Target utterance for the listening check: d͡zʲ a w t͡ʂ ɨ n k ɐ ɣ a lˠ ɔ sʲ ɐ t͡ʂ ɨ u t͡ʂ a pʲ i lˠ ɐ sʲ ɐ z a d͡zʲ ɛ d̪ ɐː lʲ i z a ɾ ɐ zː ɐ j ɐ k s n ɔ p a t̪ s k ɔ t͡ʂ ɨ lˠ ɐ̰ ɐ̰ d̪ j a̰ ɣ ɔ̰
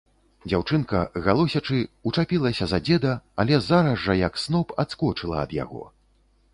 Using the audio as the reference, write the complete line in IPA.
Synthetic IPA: d͡zʲ a w t͡ʂ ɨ n k ɐ ɣ a lˠ ɔ sʲ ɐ t͡ʂ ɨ u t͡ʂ a pʲ i lˠ ɐ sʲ ɐ z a d͡zʲ ɛ d̪ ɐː lʲ ɛ z a ɾ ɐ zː ɐ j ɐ k s n ɔ p a t̪ s k ɔ t͡ʂ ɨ lˠ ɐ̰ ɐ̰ d̪ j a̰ ɣ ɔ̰